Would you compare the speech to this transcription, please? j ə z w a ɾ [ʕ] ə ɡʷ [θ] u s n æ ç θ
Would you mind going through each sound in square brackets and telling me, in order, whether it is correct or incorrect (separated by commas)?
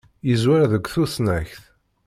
incorrect, correct